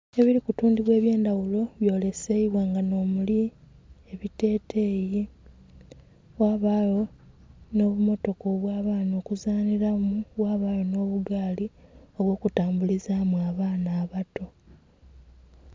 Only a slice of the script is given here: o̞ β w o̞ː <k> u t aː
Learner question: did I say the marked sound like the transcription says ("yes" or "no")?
yes